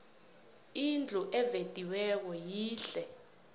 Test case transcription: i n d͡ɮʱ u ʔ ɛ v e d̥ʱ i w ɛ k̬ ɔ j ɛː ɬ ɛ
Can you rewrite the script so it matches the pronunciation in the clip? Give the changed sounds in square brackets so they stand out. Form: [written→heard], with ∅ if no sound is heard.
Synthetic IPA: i n d͡ɮʱ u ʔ ɛ v e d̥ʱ i w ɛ k̬ ɔ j [ɛː→iː] ɬ ɛ